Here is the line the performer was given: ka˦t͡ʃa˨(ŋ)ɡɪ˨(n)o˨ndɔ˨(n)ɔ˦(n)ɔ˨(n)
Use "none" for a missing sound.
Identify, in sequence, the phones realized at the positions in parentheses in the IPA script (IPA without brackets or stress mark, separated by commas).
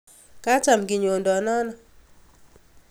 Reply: m, ɲ, n, n, none